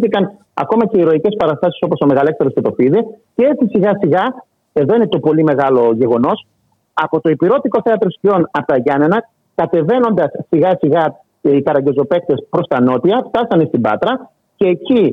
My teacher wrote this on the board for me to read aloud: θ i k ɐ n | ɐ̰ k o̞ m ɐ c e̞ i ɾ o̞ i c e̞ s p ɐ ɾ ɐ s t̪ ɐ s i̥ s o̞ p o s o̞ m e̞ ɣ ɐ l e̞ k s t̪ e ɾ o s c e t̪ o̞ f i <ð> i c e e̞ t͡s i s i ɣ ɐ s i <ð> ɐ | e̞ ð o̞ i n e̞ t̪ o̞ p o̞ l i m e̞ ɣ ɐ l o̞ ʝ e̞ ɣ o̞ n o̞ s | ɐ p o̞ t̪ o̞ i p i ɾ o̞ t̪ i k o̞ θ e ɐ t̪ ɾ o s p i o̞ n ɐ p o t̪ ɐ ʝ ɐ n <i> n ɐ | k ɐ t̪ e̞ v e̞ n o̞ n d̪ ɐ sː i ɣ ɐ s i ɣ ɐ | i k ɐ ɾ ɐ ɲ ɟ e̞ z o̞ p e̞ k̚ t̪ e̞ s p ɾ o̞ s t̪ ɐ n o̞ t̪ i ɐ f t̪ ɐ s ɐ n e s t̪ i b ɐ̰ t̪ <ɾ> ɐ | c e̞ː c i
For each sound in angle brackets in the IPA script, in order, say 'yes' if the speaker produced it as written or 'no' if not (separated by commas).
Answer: yes, no, no, yes